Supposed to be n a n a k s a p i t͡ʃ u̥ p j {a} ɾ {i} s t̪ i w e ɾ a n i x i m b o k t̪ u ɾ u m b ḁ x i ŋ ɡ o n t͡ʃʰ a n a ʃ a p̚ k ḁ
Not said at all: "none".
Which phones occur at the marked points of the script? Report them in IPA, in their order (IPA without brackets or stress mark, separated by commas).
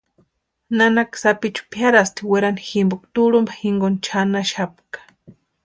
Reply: a, a